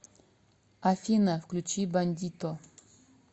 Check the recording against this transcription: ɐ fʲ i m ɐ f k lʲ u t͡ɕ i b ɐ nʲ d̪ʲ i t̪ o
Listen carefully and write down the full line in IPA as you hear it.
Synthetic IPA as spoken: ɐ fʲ i n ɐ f k lʲ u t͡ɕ i b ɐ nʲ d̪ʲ i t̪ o